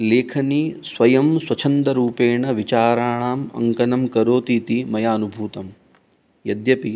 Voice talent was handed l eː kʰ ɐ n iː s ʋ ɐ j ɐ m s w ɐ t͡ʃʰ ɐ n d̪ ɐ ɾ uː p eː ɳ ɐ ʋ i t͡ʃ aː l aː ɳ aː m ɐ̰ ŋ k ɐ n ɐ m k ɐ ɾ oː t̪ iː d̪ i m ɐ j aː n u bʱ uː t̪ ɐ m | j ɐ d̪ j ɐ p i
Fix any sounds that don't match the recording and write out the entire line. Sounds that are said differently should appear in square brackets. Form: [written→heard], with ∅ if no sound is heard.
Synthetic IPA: l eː kʰ ɐ n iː s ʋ ɐ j ɐ m s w ɐ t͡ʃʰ ɐ n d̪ ɐ ɾ uː p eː ɳ ɐ ʋ i t͡ʃ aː [l→ɾ] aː ɳ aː m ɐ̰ ŋ k ɐ n ɐ m k ɐ ɾ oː t̪ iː [d̪→t̪] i m ɐ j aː n u bʱ uː t̪ ɐ m | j ɐ d̪ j ɐ p i